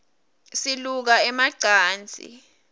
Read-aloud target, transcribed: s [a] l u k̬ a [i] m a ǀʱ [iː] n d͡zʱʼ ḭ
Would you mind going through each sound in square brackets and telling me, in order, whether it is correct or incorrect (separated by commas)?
incorrect, incorrect, incorrect